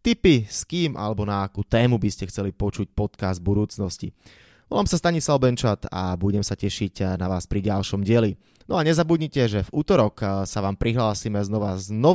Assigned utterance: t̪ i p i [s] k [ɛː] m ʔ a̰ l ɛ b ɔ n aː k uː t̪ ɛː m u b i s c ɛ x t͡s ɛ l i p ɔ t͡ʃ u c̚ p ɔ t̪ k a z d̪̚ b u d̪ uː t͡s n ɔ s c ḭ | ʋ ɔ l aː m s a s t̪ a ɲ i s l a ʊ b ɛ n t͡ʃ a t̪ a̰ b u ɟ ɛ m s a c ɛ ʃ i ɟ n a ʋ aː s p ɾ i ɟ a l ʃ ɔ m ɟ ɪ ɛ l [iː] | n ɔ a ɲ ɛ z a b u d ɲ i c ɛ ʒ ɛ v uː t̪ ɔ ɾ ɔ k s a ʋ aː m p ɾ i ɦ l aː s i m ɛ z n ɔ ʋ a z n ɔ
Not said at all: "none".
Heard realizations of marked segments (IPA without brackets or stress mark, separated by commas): s, iː, i